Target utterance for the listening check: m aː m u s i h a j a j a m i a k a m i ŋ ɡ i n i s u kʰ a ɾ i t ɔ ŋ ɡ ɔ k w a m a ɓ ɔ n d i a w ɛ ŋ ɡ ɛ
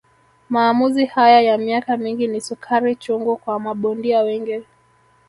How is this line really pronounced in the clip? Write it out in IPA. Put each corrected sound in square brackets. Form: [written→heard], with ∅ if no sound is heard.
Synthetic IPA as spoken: m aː m u [s→z] i h a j a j a m i a k a m i ŋ ɡ i n i s u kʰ a ɾ i [t→t͡ʃ] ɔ ŋ ɡ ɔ k w a m a ɓ ɔ n d i a w ɛ ŋ ɡ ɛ